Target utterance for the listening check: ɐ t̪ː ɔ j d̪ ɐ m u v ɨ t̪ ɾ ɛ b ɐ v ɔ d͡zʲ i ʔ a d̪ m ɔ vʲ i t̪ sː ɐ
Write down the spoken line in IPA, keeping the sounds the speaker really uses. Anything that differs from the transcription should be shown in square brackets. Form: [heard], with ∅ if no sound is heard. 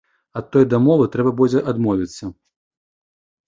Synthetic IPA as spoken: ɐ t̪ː ɔ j d̪ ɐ m [ɔ] v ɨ t̪ ɾ ɛ b ɐ [b] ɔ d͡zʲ [ɛ] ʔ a d̪ m ɔ vʲ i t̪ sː ɐ